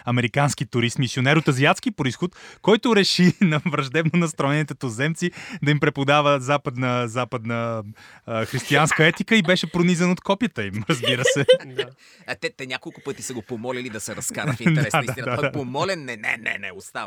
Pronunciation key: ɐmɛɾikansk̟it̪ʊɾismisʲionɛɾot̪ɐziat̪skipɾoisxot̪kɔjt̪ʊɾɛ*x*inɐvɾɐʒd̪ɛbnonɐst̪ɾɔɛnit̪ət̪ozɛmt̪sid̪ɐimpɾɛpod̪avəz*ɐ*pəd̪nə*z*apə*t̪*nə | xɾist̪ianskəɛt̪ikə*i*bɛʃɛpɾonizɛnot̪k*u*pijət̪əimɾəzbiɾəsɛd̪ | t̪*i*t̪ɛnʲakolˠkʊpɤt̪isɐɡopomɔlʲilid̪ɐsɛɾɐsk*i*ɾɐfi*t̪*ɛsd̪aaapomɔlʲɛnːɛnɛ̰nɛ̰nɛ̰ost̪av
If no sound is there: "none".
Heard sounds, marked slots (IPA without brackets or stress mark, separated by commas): ʃ, a, z, d̪, i, ɔ, ɛ, a, d̪